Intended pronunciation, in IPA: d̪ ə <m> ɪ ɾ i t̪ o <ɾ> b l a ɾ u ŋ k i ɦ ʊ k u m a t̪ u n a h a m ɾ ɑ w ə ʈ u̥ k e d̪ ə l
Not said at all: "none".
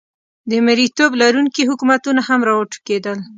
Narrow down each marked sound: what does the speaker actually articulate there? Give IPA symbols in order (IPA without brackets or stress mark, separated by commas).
m, none